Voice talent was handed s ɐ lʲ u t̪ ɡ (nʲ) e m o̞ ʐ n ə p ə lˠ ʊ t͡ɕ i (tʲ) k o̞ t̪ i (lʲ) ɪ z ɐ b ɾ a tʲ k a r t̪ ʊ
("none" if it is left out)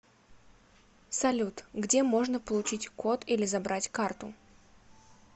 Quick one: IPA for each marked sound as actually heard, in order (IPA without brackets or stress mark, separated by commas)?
dʲ, tʲ, lʲ